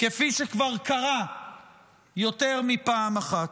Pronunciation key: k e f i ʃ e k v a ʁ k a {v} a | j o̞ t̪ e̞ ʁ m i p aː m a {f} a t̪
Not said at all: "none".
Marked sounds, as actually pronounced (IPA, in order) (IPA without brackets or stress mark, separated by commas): ʁ, χ